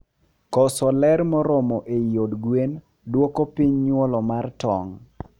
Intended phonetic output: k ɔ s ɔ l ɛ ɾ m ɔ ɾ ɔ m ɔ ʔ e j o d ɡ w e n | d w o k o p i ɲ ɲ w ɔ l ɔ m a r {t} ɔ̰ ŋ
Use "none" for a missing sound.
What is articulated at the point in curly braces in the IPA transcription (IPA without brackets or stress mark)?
t